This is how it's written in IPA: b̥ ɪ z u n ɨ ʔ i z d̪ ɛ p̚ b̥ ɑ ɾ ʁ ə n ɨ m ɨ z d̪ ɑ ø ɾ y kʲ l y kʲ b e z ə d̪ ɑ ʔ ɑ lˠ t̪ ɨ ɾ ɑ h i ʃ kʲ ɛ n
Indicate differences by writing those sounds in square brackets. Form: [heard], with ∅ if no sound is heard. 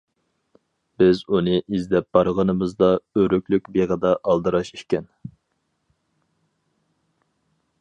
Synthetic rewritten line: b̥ ɪ z u n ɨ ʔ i z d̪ ɛ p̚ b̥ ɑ ɾ ʁ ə n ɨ m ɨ z d̪ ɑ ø ɾ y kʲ l y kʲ b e [ʁ] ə d̪ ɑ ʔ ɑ lˠ [d̪] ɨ ɾ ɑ [ʃ] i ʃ kʲ ɛ n